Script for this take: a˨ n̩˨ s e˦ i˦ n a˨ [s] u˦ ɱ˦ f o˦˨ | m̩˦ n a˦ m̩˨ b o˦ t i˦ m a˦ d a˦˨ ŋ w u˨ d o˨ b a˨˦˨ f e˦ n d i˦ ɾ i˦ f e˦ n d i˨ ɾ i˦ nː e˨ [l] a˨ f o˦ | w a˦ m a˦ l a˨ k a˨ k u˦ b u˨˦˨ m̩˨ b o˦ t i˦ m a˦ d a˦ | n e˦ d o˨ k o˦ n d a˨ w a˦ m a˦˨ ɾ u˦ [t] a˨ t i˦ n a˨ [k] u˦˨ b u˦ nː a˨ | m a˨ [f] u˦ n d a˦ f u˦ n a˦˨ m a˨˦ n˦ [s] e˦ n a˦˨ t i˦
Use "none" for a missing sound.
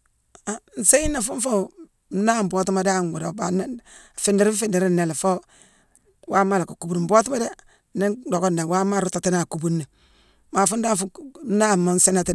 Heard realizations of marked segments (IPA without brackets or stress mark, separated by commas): f, l, t, k, f, s